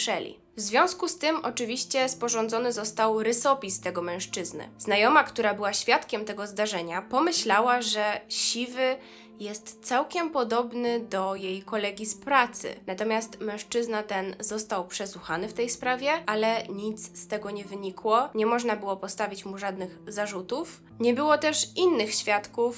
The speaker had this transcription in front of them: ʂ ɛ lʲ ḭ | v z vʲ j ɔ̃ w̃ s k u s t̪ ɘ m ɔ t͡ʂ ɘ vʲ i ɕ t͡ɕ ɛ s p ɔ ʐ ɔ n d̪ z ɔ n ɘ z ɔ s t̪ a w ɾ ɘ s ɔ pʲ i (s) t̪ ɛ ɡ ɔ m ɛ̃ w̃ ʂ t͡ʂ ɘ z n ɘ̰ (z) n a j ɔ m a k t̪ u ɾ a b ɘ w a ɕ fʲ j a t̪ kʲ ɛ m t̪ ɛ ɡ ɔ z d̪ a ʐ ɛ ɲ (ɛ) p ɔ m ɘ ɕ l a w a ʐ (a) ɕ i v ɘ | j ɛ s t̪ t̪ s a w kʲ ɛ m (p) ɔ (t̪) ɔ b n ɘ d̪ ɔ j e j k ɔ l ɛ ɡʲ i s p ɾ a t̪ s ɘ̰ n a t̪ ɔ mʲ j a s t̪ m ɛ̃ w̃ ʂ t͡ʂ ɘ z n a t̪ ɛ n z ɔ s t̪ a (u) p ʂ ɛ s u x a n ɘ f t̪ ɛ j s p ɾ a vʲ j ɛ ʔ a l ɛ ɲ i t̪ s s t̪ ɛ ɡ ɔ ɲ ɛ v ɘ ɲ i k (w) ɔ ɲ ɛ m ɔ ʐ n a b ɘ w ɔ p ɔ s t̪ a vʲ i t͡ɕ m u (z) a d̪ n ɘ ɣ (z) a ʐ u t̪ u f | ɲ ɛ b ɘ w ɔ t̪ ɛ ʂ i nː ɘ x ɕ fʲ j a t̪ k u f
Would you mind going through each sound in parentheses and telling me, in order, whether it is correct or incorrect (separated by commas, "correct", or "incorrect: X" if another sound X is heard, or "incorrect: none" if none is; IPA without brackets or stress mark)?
correct, correct, incorrect: a, incorrect: ɛ, correct, incorrect: d̪, incorrect: w, correct, incorrect: ʐ, correct